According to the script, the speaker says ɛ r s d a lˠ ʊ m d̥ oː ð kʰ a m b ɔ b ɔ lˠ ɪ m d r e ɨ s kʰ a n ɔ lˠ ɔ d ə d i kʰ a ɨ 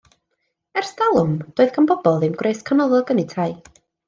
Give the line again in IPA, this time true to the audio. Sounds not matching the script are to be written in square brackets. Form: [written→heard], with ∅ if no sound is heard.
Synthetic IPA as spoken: ɛ r s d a lˠ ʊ m d̥ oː ð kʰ a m b ɔ b ɔ lˠ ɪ m [d→ɡ] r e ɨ s kʰ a n ɔ lˠ ɔ [d→ɡ] ə [d→n] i [kʰ→tʰ] a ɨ